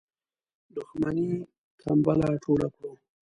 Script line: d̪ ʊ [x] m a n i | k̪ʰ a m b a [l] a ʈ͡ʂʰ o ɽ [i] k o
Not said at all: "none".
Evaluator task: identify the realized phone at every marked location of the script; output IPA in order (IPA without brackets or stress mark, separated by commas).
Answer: x, l, a